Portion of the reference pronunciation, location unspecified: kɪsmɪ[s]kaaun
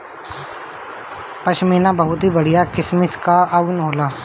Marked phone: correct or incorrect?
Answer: correct